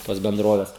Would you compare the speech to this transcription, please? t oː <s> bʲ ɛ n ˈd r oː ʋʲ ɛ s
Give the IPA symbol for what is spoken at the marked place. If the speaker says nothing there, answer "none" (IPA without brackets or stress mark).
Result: s